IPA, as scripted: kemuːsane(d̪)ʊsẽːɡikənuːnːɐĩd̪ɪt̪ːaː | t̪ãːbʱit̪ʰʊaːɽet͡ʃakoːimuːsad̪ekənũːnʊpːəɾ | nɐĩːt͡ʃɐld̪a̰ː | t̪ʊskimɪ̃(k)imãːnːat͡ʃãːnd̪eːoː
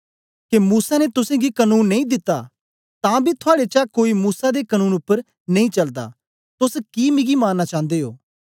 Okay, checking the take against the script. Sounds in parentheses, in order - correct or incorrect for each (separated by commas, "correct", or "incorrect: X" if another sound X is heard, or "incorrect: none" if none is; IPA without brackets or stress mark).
incorrect: t̪, incorrect: ɡ